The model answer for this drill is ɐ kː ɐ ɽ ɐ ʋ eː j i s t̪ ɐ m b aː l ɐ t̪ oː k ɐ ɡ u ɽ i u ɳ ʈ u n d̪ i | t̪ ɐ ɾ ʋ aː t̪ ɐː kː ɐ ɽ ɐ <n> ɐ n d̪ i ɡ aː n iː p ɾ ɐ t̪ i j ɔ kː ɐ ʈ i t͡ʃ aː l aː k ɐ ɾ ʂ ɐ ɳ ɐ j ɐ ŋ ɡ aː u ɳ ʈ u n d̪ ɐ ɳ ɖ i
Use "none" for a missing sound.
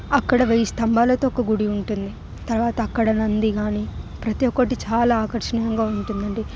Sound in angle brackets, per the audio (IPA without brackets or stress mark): n